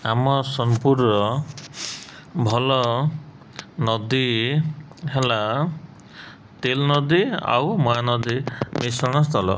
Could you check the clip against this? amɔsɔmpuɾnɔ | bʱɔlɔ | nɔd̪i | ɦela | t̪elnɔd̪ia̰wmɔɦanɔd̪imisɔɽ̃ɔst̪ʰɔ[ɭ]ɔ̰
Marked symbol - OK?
no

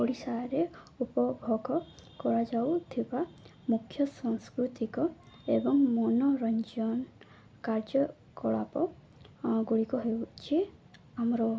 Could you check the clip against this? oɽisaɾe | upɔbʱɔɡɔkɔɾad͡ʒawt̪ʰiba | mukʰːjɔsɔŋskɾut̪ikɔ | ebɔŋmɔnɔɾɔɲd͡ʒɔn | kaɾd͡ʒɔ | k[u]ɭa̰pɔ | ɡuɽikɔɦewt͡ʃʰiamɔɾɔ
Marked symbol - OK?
no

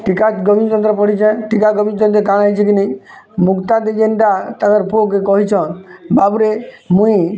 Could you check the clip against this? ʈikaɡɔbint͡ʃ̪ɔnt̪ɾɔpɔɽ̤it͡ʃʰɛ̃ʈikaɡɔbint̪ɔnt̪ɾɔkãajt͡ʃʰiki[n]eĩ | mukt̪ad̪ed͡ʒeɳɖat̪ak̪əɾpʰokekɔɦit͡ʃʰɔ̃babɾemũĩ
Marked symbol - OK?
yes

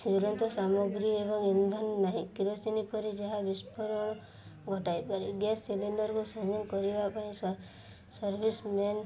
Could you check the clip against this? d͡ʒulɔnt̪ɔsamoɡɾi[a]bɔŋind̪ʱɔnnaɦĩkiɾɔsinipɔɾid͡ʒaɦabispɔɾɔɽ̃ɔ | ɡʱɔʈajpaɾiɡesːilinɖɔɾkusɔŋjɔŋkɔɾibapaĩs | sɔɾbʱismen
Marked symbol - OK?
no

